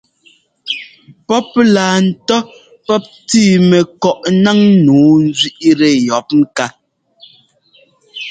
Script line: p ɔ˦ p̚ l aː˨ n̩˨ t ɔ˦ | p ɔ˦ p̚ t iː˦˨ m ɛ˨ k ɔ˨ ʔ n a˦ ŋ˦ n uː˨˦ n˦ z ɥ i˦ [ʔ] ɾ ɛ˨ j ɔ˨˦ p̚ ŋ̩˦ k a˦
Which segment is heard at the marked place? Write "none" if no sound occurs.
ʔ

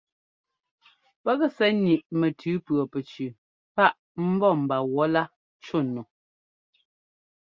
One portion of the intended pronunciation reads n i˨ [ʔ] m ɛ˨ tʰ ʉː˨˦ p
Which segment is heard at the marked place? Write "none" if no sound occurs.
ʔ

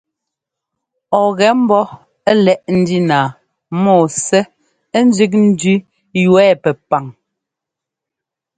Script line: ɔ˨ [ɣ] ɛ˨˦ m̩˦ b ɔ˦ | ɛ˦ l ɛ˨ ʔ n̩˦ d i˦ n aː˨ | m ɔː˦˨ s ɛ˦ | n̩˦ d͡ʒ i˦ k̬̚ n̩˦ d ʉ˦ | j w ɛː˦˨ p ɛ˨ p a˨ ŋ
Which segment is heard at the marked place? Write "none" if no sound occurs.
ɣ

